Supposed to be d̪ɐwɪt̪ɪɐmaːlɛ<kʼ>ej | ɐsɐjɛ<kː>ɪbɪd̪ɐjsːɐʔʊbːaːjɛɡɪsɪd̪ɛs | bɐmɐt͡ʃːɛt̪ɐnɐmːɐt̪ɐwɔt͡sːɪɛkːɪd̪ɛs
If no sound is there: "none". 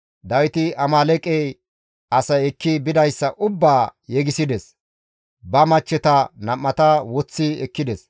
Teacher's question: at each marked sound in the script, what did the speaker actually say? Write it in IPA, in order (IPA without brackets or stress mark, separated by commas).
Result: kʼ, kː